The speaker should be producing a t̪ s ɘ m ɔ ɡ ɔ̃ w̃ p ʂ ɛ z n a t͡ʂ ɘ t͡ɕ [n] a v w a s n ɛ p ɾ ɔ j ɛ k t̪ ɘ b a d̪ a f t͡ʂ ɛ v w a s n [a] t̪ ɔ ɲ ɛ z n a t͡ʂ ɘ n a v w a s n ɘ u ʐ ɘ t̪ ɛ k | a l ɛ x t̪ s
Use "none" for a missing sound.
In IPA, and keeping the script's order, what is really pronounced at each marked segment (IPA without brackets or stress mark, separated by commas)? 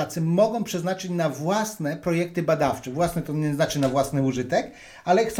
n, ɛ